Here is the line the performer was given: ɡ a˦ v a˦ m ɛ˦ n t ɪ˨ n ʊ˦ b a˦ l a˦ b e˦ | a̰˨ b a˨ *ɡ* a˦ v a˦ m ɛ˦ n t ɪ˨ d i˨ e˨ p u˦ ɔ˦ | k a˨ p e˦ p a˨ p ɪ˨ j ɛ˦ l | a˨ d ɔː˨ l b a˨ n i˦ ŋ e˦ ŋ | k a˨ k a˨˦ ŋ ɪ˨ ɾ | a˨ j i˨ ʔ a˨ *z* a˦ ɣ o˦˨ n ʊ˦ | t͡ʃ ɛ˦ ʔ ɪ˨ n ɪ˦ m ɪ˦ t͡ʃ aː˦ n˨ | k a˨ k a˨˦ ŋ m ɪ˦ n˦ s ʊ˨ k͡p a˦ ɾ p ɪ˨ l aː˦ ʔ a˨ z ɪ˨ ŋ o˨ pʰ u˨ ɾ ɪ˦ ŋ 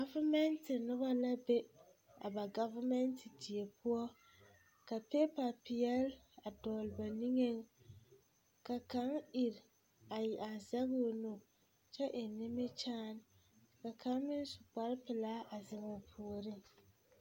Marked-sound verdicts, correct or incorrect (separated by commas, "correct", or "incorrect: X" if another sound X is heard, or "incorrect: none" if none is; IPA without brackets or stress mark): correct, correct